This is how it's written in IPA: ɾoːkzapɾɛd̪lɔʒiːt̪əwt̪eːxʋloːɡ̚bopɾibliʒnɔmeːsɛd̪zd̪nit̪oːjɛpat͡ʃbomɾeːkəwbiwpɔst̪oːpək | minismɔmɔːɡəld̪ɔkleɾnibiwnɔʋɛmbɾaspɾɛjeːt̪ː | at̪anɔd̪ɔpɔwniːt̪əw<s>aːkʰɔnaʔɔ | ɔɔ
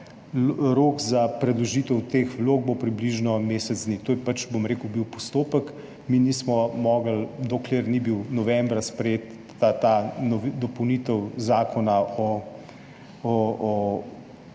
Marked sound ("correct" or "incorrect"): incorrect